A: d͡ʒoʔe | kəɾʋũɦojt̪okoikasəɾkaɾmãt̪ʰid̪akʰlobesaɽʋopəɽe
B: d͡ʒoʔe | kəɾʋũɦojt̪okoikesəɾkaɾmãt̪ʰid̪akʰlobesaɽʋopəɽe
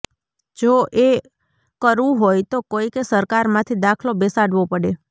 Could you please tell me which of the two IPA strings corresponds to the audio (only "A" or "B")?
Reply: B